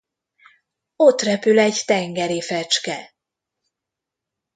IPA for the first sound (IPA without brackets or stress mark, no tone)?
o̞